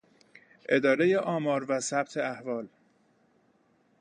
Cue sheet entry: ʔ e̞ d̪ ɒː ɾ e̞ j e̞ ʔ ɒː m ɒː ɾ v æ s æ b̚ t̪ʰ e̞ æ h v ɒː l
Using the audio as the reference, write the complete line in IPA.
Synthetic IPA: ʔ e̞ d̪ ɒː ɾ e̞ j e̞ ʔ ɒː m ɒː ɾ v æ s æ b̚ t̪ʰ e̞ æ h v ɒː l